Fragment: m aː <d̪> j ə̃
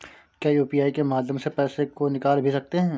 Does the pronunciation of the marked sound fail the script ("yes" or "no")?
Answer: no